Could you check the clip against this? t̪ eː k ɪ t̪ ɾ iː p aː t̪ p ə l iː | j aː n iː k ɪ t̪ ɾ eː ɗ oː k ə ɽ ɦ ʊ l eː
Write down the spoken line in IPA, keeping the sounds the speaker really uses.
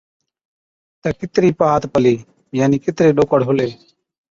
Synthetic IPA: t̪ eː k ɪ t̪ ɾ iː p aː t̪ p ə l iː | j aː n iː k ɪ t̪ ɾ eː ɗ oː k ə ɽ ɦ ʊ l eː